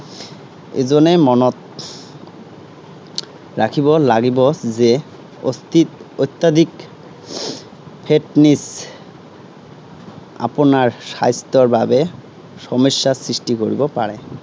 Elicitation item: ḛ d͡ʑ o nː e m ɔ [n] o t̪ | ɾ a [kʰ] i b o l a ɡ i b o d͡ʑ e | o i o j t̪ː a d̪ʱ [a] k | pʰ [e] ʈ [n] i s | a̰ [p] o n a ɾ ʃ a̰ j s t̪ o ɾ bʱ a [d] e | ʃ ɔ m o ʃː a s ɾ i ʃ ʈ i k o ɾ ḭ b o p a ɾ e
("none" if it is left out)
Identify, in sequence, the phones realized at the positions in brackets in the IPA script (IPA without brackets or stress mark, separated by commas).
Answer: n, kʰ, i, e, n, p, b